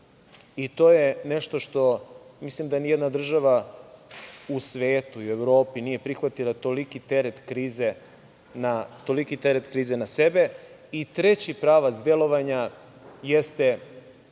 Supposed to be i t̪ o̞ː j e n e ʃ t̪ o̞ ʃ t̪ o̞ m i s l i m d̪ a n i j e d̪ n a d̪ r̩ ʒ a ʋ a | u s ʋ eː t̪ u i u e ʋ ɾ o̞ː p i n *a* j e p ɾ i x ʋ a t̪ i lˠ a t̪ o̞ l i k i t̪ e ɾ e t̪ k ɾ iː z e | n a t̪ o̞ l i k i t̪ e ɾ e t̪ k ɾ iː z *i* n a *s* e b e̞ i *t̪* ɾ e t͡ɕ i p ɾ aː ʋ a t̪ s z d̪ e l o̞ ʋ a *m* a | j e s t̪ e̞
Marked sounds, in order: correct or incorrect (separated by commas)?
incorrect, incorrect, correct, correct, incorrect